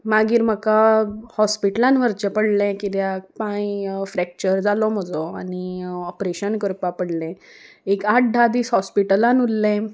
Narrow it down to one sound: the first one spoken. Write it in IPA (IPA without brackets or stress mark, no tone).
m